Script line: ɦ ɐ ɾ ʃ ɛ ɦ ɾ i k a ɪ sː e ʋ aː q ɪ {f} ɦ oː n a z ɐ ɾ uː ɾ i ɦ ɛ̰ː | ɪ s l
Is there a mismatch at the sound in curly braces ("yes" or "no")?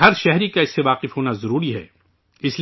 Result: no